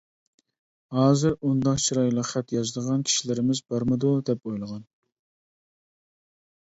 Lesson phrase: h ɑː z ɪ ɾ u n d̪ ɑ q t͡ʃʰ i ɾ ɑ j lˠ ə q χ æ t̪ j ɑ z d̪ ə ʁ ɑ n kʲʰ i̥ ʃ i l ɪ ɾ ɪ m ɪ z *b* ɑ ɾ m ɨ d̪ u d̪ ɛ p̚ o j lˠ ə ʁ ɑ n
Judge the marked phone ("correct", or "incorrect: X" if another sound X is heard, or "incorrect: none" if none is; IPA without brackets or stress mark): correct